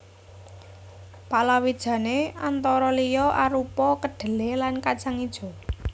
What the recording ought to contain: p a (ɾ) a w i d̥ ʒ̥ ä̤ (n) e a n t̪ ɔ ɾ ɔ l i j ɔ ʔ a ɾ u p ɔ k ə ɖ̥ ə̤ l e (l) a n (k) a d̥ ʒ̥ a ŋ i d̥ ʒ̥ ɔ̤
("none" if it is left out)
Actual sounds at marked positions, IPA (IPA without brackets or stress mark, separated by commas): l, n, l, k